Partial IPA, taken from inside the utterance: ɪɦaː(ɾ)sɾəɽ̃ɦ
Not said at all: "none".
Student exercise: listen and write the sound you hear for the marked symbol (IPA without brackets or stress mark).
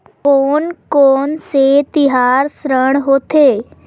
ɾ